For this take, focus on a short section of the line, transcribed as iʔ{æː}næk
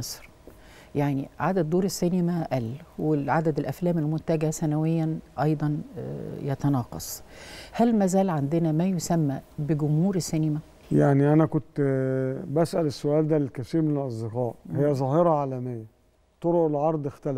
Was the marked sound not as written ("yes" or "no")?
yes